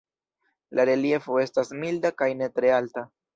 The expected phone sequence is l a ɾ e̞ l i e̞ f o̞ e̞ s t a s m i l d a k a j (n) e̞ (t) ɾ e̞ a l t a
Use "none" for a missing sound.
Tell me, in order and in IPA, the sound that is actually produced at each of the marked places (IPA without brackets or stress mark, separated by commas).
n, t